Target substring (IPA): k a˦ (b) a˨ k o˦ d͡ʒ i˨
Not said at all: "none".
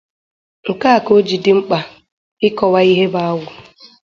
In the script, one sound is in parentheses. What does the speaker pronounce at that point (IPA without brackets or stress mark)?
none